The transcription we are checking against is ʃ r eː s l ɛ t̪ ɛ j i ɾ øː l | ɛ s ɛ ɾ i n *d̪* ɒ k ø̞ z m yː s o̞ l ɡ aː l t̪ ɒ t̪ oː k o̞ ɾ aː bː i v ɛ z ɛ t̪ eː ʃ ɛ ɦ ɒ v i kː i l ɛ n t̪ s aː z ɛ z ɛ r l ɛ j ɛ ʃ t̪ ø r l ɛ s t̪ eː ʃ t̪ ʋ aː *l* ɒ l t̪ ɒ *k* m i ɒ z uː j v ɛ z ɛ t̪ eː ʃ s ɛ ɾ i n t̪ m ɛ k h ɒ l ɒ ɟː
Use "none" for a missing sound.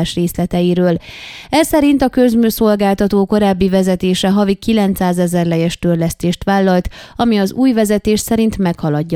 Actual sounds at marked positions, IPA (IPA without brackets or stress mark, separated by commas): t̪, lː, none